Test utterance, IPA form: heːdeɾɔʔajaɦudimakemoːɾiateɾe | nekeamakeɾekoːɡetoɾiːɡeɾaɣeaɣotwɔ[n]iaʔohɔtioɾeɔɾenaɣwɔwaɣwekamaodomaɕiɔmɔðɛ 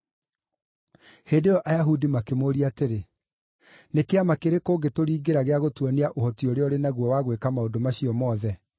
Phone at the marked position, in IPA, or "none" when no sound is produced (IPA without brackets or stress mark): n